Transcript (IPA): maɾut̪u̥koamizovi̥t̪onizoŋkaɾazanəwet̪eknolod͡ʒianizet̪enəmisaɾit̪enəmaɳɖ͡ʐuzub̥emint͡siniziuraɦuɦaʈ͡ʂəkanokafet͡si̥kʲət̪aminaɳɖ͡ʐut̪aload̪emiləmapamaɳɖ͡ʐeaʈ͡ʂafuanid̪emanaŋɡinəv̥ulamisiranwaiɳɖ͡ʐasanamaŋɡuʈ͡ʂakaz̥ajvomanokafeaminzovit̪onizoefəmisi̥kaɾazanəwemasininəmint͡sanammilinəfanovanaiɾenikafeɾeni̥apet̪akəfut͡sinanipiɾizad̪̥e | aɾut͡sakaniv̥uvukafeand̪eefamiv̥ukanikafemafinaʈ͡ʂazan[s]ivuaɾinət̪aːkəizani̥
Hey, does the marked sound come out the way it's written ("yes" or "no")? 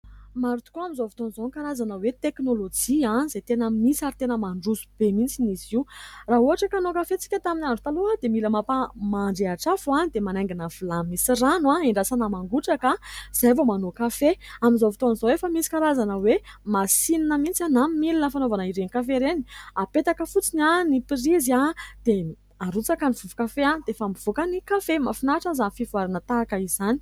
no